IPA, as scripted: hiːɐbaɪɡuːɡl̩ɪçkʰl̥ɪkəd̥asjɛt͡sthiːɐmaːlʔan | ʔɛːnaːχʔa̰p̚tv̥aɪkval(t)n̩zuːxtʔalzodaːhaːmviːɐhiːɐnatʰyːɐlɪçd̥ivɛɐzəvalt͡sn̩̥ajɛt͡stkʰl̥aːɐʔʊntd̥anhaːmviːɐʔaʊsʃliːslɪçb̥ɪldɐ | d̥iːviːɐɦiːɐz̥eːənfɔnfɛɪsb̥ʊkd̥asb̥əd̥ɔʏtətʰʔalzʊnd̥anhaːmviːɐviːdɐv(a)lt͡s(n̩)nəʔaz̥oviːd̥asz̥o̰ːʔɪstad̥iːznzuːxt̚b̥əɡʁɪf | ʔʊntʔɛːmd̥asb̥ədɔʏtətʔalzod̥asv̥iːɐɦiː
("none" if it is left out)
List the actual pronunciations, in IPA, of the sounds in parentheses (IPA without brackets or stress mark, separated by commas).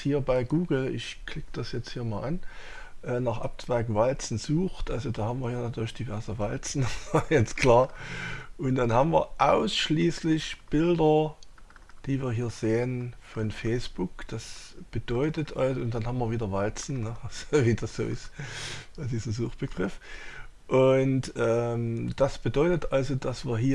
t͡s, a, n̩